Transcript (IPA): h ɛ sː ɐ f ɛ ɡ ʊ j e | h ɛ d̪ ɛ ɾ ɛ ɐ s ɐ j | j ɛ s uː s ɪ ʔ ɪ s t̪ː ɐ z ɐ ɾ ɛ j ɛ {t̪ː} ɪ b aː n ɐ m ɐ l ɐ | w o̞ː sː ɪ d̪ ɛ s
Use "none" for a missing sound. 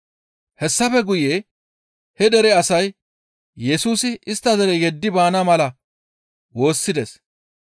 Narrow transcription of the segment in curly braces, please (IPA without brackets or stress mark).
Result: d̪ː